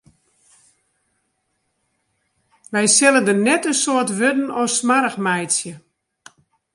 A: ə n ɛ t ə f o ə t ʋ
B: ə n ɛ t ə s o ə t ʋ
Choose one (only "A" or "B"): B